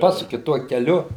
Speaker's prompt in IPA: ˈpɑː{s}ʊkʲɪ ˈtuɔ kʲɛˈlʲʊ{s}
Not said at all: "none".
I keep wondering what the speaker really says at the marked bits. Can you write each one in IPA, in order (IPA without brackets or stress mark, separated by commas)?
s, none